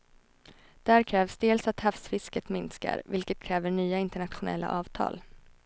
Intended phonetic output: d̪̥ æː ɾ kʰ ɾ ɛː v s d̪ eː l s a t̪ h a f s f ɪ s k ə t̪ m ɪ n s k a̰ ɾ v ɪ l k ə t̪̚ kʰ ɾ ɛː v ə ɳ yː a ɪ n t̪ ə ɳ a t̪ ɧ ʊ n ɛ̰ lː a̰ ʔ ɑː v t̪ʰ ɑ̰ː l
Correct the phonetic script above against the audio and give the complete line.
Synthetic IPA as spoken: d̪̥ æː ɾ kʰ ɾ ɛː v s d̪ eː l s a t̪ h a f s f ɪ s k ə t̪ m ɪ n s k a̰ ɾ v ɪ l k ə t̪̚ kʰ ɾ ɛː v ə ɳ yː a ɪ n t̪ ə ɳ a t̪ ɧ ʊ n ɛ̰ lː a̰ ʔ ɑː v t̪ʰ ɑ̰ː l